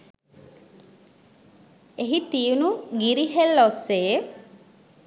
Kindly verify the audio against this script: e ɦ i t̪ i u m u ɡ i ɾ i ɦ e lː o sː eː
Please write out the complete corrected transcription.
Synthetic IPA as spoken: e ɦ i t̪ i u n u ɡ i ɾ i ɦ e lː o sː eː